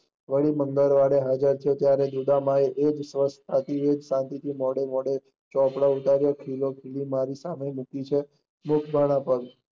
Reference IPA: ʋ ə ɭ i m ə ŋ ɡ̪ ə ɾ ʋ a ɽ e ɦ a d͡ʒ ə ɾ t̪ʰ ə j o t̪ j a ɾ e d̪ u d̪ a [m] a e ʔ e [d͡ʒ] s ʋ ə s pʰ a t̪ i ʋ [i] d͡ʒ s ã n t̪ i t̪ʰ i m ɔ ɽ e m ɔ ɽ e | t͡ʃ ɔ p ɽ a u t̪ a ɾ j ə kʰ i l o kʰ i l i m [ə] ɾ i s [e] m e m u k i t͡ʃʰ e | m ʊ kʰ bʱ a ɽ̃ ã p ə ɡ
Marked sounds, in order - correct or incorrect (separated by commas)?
correct, correct, incorrect, incorrect, incorrect